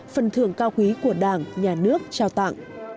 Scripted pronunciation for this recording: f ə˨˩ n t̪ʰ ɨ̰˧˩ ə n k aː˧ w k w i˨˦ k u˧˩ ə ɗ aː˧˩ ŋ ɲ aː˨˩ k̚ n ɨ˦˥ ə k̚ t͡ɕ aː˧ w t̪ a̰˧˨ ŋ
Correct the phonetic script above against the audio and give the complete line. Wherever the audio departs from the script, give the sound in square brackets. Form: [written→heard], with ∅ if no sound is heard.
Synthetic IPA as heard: f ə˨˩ n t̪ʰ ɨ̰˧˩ ə [n→ŋ] k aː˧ w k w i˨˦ k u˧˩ ə ɗ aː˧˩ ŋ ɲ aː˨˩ [k̚→∅] n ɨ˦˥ ə k̚ t͡ɕ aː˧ w t̪ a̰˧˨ ŋ